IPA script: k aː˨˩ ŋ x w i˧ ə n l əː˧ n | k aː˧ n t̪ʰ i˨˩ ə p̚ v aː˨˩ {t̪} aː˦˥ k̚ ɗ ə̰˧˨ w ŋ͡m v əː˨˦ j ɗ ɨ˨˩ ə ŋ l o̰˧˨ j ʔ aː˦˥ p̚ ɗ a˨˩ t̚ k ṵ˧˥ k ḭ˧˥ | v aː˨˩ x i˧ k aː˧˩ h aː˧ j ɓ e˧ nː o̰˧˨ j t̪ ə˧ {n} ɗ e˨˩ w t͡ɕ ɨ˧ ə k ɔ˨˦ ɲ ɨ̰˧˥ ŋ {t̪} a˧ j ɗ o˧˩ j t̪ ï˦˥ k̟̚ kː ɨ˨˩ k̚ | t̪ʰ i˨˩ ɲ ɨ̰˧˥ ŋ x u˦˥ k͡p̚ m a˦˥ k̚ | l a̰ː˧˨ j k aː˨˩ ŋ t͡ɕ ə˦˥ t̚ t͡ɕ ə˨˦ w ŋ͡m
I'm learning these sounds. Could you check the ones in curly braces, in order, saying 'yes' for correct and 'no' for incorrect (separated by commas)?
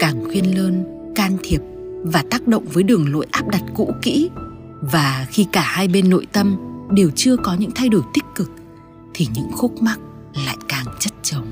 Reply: yes, no, no